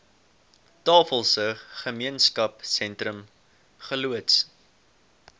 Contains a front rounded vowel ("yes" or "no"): no